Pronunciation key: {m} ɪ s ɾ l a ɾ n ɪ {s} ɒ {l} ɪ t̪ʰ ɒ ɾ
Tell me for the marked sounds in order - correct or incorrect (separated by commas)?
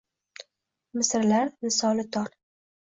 correct, correct, correct